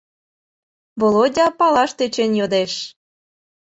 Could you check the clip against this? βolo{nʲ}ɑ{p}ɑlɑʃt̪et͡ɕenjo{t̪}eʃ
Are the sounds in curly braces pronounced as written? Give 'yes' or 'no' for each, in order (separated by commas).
no, yes, no